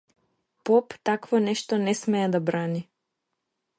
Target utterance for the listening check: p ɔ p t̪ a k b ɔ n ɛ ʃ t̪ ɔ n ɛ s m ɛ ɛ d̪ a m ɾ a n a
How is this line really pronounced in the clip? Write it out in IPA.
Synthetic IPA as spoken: p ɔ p t̪ a k v ɔ n ɛ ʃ t̪ ɔ n ɛ s m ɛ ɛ d̪ a b ɾ a n i